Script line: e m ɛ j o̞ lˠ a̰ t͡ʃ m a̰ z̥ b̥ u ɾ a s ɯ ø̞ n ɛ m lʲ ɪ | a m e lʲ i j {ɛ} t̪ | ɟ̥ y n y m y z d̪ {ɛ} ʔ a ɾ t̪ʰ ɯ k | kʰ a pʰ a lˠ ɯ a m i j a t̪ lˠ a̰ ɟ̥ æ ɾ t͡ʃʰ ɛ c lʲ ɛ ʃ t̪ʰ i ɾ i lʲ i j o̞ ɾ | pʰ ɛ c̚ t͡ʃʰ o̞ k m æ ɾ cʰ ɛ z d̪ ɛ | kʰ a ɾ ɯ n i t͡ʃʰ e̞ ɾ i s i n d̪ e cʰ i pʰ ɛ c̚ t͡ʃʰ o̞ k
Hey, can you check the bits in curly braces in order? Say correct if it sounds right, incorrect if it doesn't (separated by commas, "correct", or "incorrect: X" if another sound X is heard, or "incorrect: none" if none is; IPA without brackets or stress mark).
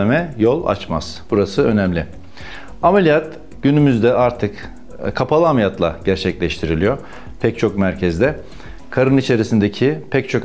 incorrect: a, correct